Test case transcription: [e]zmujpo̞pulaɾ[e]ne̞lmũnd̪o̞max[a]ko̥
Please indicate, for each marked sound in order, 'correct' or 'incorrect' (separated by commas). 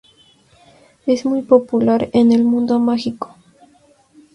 correct, correct, incorrect